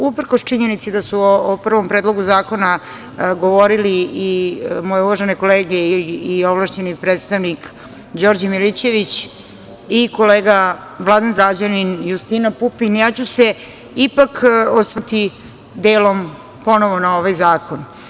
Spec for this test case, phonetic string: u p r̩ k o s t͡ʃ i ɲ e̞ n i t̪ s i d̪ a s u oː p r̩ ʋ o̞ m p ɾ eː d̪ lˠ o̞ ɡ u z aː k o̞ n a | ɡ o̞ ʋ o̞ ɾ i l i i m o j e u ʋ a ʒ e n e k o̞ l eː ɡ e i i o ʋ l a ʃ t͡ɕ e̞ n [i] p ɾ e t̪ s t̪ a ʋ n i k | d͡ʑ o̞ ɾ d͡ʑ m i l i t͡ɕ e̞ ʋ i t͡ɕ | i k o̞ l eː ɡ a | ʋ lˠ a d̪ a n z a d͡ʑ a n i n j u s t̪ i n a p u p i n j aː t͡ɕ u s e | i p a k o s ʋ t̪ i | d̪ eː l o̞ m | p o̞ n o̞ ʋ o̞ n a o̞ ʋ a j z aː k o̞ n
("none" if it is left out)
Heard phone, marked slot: i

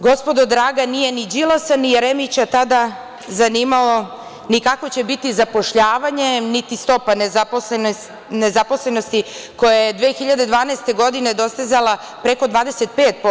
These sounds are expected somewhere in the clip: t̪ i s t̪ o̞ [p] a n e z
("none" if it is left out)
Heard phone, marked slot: p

